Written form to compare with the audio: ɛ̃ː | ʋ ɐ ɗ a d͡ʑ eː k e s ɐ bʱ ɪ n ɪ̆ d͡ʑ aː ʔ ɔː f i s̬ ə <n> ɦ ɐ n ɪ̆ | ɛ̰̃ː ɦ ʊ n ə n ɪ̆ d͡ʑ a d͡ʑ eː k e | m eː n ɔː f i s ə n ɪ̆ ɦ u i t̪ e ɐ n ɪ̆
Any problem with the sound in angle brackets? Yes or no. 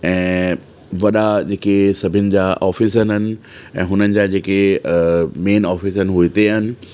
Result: no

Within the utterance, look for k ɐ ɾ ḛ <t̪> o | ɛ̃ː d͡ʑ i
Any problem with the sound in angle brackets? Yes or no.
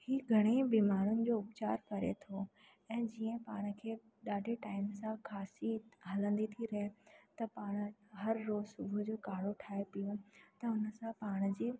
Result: yes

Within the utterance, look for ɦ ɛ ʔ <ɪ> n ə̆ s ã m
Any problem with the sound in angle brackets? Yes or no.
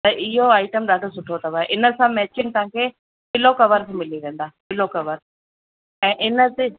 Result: no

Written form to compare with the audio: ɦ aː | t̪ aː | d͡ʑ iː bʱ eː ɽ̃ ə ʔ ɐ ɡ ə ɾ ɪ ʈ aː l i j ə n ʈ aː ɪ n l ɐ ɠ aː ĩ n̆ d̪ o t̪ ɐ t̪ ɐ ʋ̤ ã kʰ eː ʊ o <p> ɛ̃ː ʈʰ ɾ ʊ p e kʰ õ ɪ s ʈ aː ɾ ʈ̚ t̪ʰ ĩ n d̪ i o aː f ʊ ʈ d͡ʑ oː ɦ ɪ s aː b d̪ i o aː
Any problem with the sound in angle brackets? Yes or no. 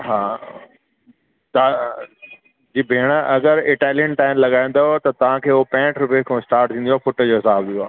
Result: no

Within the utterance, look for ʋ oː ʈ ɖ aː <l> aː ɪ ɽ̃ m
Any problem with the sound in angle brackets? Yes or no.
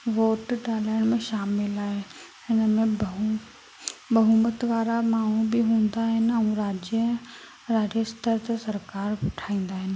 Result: no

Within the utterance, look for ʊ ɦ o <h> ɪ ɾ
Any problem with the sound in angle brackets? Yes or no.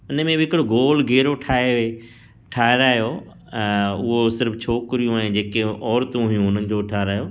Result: yes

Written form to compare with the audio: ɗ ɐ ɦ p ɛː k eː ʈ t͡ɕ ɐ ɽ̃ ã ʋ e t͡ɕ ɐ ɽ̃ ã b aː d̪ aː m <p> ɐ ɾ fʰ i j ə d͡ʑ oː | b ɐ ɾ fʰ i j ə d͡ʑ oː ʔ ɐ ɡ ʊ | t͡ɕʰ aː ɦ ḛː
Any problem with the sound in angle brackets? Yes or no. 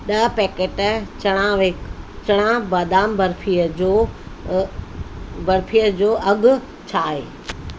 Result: yes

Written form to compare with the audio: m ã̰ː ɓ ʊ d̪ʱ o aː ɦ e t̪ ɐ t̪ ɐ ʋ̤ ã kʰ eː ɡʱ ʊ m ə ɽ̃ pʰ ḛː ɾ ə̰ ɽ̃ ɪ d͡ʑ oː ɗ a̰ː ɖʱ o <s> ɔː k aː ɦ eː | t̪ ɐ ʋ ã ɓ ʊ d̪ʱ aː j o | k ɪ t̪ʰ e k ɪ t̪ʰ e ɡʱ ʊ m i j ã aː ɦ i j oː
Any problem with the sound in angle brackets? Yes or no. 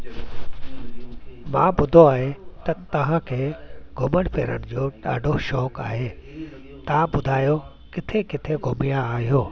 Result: yes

